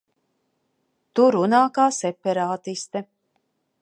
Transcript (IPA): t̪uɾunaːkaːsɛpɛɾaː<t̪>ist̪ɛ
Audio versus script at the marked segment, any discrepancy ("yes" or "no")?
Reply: no